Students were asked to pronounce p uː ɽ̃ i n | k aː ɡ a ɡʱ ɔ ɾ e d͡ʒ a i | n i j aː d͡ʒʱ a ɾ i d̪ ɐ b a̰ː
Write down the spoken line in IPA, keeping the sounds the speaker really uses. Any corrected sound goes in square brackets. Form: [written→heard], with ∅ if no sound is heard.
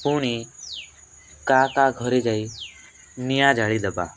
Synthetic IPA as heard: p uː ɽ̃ i [n→∅] | k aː [ɡ→k] a ɡʱ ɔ ɾ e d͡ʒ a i | n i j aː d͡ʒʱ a [ɾ→ɭ] i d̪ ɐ b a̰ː